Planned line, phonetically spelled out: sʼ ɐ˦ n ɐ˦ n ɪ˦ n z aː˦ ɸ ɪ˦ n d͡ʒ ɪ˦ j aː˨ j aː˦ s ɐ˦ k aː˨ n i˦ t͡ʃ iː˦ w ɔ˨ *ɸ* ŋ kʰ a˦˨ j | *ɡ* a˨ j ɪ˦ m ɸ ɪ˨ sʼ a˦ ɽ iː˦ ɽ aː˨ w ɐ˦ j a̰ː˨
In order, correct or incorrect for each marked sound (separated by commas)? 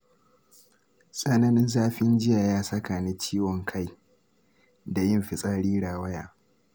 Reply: incorrect, incorrect